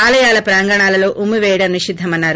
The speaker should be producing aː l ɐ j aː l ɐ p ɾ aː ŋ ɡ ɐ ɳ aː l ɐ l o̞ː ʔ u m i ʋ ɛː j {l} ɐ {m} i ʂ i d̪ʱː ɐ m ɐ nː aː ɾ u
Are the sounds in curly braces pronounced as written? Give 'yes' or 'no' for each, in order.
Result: no, no

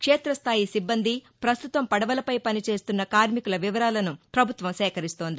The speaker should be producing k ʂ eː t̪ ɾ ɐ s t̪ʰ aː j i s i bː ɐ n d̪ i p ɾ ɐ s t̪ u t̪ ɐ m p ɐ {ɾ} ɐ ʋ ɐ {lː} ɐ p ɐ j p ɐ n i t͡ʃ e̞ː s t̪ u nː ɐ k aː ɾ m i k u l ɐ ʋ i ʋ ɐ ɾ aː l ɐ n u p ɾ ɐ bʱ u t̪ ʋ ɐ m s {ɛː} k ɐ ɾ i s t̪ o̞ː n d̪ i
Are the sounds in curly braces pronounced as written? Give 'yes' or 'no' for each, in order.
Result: no, no, yes

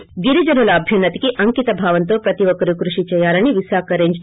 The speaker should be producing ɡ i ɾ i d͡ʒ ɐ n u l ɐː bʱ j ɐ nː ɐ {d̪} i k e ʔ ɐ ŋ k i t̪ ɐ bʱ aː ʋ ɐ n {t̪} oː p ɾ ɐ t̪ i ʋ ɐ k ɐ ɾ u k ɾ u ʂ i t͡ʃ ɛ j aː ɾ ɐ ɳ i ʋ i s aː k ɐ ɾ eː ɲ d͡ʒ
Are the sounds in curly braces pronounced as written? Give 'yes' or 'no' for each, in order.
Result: no, yes

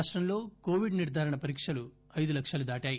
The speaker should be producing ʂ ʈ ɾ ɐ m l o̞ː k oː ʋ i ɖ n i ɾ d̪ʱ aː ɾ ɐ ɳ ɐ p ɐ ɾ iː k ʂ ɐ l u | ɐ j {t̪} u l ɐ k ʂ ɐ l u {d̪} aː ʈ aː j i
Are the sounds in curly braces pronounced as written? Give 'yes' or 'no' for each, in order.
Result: no, yes

